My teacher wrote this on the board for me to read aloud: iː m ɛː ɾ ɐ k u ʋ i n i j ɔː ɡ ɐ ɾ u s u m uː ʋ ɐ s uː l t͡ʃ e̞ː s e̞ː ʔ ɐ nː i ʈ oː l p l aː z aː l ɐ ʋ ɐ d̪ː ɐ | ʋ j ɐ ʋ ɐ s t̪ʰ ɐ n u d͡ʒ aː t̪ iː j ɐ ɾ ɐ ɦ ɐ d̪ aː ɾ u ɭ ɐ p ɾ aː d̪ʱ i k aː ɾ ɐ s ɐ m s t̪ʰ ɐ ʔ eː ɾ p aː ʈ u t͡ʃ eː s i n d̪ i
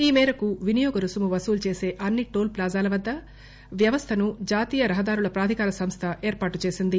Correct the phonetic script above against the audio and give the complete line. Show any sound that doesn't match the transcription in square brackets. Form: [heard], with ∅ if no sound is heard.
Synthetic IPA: iː m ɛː ɾ ɐ k u ʋ i n i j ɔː ɡ ɐ ɾ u s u m [u] ʋ ɐ s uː l t͡ʃ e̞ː s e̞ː ʔ ɐ nː i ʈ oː l p l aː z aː l ɐ ʋ ɐ d̪ː ɐ | ʋ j ɐ ʋ ɐ s t̪ʰ ɐ n u d͡ʒ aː t̪ iː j ɐ ɾ ɐ ɦ ɐ d̪ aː ɾ u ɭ ɐ p ɾ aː d̪ʱ i k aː ɾ ɐ s ɐ m s t̪ʰ ɐ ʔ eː ɾ p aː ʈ u t͡ʃ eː s i n d̪ i